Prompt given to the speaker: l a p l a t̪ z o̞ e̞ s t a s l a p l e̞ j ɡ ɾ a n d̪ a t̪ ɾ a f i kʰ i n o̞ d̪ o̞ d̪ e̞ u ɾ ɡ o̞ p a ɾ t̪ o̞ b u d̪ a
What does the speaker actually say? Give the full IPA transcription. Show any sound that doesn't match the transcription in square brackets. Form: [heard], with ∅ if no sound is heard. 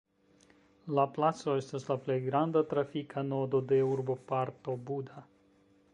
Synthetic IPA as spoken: l a p l a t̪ [s] o̞ e̞ s t a s l a p l e̞ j ɡ ɾ a n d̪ a t̪ ɾ a f i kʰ [a] n o̞ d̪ o̞ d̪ e̞ u ɾ [b] o̞ p a ɾ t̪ o̞ b u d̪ a